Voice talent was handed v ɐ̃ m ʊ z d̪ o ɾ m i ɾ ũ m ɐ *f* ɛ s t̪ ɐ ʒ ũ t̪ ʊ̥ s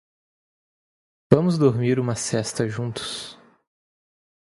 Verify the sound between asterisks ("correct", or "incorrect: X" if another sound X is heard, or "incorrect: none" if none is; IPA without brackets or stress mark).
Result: incorrect: s